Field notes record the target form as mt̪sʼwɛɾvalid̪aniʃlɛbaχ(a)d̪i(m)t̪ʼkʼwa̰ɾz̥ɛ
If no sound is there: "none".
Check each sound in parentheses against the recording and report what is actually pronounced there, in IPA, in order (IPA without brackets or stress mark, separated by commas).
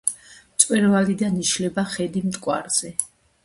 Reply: ɛ, m